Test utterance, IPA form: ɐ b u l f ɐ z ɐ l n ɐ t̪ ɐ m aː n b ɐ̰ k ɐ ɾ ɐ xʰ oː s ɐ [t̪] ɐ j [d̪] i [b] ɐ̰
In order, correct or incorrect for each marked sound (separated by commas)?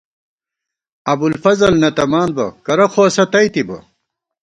correct, incorrect, correct